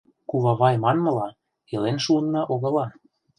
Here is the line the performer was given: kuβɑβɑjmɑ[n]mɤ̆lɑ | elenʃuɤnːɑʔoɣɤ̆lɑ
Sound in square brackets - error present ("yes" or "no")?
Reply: no